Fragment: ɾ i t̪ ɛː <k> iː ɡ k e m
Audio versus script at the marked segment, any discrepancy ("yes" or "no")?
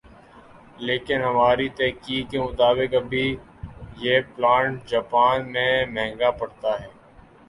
no